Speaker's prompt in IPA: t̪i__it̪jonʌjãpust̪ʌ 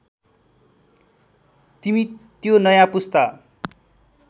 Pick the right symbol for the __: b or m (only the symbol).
m